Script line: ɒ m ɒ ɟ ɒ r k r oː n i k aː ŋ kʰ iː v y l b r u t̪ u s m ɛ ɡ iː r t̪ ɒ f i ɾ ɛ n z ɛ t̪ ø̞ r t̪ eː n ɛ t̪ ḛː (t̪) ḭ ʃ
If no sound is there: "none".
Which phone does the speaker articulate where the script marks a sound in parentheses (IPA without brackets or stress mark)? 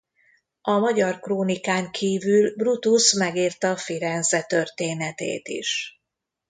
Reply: t̪